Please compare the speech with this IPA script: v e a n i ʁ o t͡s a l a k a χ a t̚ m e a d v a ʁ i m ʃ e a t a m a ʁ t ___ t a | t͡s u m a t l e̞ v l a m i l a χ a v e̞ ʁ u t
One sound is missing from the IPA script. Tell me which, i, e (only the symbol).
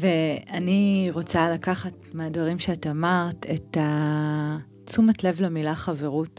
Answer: e